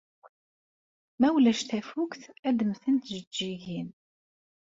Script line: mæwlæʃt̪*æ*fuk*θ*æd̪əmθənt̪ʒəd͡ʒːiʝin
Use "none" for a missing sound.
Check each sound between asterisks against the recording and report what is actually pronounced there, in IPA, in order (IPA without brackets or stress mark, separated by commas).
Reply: æ, θ